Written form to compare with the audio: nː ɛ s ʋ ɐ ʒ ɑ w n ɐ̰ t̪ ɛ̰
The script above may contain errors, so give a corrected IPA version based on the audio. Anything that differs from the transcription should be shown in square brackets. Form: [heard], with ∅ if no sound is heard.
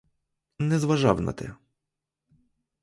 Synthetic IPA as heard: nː ɛ [z] ʋ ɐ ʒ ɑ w n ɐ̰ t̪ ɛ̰